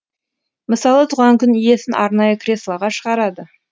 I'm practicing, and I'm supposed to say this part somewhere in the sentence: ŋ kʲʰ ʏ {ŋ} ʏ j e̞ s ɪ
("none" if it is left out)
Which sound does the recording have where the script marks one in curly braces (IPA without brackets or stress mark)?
n